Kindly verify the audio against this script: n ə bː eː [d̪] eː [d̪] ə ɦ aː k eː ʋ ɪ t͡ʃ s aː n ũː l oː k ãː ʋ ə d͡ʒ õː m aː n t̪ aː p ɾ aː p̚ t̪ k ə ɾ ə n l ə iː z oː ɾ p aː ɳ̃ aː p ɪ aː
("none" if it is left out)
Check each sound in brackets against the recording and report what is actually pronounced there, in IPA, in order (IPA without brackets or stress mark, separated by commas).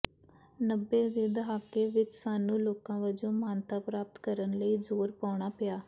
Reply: d̪, d̪